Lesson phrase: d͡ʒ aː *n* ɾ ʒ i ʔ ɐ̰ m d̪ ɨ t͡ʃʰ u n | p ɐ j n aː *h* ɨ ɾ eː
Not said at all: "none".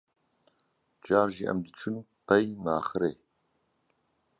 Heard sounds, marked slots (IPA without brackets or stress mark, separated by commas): none, x